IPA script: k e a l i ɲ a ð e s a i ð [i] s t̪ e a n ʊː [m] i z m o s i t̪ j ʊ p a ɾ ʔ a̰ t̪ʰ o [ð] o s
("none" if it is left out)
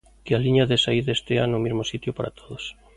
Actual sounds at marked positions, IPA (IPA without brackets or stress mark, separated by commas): e, m, ð